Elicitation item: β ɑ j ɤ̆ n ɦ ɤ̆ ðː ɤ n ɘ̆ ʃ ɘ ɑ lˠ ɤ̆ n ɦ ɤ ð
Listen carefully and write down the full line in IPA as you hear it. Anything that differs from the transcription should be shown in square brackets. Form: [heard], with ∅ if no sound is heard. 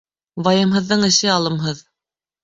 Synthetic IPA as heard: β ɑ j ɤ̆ [m] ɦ ɤ̆ ðː ɤ [ɴ] ɘ̆ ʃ ɘ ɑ lˠ ɤ̆ [m] ɦ ɤ ð